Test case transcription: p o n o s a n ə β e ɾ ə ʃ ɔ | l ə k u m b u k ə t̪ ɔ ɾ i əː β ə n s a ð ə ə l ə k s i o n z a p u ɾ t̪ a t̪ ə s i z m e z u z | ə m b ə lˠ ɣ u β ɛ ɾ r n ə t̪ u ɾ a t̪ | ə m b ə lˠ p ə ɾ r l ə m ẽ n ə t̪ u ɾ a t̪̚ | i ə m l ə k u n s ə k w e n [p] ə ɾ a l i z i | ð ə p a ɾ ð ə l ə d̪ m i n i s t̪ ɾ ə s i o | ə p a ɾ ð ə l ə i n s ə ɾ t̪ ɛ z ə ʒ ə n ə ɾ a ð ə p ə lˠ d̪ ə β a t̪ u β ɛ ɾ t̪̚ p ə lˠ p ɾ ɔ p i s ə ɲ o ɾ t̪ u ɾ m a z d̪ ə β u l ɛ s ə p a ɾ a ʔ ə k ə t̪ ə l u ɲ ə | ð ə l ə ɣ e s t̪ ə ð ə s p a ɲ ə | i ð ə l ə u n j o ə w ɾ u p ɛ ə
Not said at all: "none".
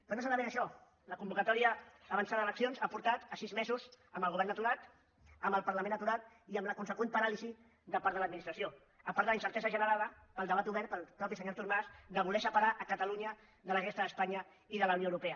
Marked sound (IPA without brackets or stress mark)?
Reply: p